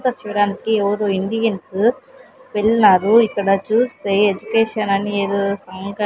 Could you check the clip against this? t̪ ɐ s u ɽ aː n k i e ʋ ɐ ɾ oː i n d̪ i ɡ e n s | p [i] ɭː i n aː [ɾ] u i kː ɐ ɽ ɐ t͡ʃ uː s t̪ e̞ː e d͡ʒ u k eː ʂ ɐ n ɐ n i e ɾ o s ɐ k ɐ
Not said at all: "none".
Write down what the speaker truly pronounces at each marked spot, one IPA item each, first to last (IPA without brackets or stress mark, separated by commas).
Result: e, ɾ